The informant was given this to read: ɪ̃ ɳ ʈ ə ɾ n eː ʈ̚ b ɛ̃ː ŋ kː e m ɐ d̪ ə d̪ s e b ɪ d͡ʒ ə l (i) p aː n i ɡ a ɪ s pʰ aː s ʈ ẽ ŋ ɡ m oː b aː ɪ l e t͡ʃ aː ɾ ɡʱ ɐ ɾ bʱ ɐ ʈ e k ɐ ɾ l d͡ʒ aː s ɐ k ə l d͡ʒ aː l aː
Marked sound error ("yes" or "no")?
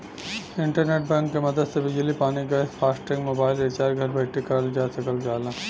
no